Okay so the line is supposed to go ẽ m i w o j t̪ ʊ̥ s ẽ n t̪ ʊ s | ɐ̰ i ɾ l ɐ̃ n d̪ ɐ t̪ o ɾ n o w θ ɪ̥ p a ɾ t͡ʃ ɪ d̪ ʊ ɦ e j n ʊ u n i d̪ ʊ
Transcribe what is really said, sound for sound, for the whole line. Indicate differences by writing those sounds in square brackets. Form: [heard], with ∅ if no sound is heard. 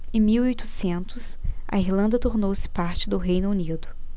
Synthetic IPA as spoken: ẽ m i w o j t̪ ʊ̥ s ẽ n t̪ ʊ s | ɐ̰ i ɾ l ɐ̃ n d̪ ɐ t̪ o ɾ n o w [s] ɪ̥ p a ɾ t͡ʃ ɪ d̪ ʊ ɦ e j n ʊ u n i d̪ ʊ

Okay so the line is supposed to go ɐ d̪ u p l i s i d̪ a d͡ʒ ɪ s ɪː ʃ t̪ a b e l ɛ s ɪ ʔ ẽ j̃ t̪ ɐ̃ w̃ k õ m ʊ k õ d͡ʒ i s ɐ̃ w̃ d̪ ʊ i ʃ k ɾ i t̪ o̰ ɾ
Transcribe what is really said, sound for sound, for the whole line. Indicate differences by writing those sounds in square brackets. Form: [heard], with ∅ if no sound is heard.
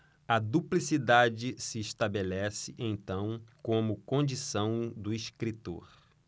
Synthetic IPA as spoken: ɐ d̪ u p l i s i d̪ a d͡ʒ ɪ s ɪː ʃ t̪ a b e l ɛ s ɪ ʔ ẽ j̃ t̪ ɐ̃ w̃ k õ m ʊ k õ d͡ʒ i s ɐ̃ w̃ d̪ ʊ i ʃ k ɾ i t̪ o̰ ɾ

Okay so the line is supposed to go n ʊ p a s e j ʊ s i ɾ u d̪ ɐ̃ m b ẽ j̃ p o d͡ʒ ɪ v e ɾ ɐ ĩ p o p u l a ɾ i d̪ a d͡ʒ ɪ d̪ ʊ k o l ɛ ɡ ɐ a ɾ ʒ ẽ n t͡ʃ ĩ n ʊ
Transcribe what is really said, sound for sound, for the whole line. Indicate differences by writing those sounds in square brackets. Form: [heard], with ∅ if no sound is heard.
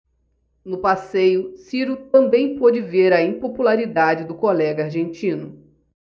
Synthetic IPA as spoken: n ʊ p a s e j ʊ s i ɾ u [t̪] ɐ̃ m b ẽ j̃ p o d͡ʒ ɪ v e ɾ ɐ ĩ p o p u l a ɾ i d̪ a d͡ʒ ɪ d̪ ʊ k o l ɛ ɡ ɐ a ɾ ʒ ẽ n t͡ʃ ĩ n ʊ

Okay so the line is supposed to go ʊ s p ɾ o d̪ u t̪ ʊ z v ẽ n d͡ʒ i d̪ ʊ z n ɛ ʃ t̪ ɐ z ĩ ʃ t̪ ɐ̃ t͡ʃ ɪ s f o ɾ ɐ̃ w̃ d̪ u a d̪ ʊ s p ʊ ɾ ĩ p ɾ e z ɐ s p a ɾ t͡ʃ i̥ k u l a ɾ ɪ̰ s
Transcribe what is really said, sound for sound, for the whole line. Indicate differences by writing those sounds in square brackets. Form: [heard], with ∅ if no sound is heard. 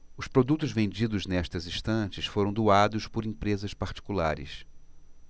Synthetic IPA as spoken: ʊ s p ɾ o d̪ u t̪ ʊ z v ẽ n d͡ʒ i d̪ ʊ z n ɛ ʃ t̪ ɐ z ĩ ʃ t̪ ɐ̃ t͡ʃ ɪ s f o ɾ ɐ̃ w̃ d̪ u a d̪ ʊ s p ʊ ɾ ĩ p ɾ e z ɐ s p a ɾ t͡ʃ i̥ k u l a ɾ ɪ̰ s

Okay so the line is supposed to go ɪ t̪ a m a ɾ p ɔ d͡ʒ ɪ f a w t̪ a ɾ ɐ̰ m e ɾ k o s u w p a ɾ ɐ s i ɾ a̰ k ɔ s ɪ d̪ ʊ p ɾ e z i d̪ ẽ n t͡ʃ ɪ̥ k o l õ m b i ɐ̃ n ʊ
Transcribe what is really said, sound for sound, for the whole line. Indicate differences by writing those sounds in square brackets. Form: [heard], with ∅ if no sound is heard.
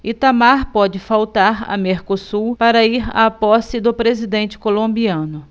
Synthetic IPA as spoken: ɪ t̪ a m a ɾ p ɔ d͡ʒ ɪ f a w t̪ a ɾ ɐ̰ m e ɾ k o s u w p a ɾ ɐ [∅] i ɾ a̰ [p] ɔ s ɪ d̪ ʊ p ɾ e z i d̪ ẽ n t͡ʃ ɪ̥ k o l õ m b i ɐ̃ n ʊ

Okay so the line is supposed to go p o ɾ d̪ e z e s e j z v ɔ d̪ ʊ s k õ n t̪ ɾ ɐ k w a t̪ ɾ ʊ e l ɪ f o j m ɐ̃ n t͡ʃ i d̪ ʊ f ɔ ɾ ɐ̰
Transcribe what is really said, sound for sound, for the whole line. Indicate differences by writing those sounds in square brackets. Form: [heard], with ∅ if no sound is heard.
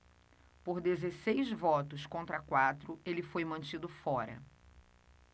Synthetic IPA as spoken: p o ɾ d̪ e z e s e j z v ɔ [t̪] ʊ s k õ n t̪ ɾ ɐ k w a t̪ ɾ ʊ e l ɪ f o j m ɐ̃ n t͡ʃ i d̪ ʊ f ɔ ɾ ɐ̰

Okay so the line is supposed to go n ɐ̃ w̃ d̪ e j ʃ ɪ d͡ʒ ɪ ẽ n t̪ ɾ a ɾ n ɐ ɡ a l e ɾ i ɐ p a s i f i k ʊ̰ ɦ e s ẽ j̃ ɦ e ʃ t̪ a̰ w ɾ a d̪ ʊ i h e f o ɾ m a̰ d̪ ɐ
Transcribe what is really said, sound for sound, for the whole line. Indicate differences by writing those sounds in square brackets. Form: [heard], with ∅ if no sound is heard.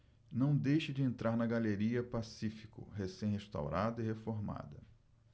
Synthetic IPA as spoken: n ɐ̃ w̃ d̪ e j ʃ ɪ d͡ʒ ɪ ẽ n t̪ ɾ a ɾ n ɐ ɡ a l e ɾ i ɐ p a s i f i k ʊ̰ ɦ e s ẽ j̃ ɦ e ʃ t̪ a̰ w ɾ a d̪ ʊ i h e f o ɾ m a̰ d̪ ɐ

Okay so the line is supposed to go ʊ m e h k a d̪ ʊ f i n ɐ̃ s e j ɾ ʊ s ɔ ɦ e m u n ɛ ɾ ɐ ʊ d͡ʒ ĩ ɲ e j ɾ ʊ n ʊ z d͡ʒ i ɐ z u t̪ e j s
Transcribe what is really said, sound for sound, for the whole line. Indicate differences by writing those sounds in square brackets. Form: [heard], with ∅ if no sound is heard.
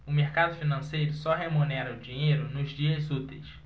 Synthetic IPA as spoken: ʊ m e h k a d̪ ʊ f i n ɐ̃ s e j ɾ ʊ s ɔ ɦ e m u n ɛ ɾ ɐ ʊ d͡ʒ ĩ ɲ e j ɾ ʊ n ʊ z d͡ʒ i ɐ z u t̪ e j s

